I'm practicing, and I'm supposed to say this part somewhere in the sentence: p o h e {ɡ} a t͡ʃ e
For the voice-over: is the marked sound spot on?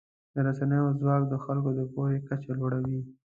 no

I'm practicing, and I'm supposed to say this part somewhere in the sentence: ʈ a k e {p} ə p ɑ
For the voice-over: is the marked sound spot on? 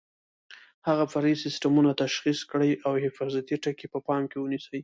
yes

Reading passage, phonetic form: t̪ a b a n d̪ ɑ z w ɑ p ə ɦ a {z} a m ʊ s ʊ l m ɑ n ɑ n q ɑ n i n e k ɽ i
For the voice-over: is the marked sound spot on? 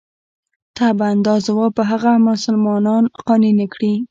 no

